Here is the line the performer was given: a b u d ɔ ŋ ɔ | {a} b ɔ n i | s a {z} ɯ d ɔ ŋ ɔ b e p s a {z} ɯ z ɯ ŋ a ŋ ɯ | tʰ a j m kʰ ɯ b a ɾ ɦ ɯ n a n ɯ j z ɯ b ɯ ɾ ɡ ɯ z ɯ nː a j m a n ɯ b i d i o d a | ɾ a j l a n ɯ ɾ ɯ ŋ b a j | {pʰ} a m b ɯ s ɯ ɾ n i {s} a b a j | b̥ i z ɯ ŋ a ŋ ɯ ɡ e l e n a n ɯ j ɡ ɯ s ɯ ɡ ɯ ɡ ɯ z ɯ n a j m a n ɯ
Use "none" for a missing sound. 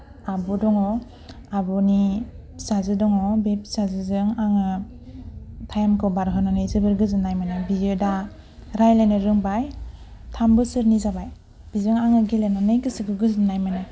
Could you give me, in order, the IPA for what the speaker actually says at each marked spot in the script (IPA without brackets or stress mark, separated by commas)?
a, z, z, tʰ, z